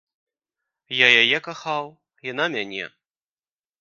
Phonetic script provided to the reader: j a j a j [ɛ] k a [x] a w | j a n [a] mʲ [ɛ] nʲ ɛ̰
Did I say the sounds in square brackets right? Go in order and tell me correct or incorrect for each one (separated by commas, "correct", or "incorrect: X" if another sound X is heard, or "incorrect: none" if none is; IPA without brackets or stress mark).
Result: correct, correct, correct, incorrect: a